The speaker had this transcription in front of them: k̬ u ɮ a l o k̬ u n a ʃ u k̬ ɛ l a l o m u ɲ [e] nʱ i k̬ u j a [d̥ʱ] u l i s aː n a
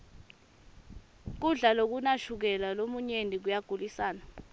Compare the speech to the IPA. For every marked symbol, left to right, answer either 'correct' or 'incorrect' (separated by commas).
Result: correct, incorrect